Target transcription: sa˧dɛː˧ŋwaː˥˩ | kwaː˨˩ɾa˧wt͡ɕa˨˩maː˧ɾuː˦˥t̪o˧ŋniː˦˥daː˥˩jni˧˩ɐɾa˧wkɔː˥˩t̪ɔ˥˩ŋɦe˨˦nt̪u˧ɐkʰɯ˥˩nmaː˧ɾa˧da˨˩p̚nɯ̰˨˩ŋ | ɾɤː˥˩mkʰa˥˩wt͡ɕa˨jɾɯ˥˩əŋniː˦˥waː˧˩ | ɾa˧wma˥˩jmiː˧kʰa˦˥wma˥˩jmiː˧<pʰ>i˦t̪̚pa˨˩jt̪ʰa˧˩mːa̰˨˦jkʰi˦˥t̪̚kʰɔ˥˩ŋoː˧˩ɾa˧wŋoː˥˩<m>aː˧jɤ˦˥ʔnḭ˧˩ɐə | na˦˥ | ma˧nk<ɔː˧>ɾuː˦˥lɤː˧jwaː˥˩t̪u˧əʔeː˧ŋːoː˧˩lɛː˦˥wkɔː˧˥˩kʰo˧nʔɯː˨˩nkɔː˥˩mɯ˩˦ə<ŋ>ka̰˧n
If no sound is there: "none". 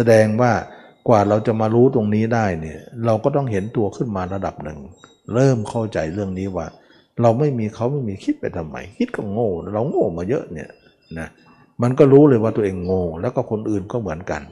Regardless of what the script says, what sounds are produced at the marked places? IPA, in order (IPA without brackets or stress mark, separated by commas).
kʰ, m, ɔː˥˩, n